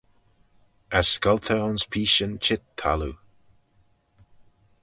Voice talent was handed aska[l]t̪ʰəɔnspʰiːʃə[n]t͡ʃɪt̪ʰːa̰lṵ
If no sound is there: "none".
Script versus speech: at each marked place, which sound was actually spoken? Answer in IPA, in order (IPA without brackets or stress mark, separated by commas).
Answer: l, n